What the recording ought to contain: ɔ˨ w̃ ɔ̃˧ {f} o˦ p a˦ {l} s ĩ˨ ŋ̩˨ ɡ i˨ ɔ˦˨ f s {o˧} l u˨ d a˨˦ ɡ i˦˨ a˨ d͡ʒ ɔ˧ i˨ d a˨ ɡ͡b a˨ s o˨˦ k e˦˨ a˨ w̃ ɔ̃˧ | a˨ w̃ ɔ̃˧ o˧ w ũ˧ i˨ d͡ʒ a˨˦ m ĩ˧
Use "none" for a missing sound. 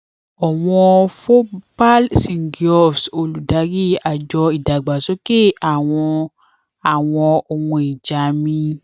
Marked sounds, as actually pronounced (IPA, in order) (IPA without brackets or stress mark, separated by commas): f, l, o˧